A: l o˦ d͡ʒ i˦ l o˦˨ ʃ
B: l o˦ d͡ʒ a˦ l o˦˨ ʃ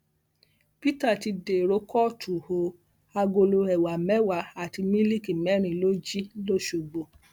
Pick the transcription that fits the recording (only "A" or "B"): A